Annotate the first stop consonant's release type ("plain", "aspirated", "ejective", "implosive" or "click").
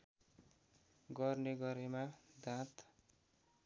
plain